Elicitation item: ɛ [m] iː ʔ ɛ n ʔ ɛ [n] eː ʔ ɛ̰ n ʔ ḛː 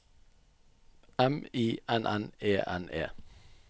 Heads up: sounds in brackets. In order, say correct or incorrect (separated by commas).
correct, correct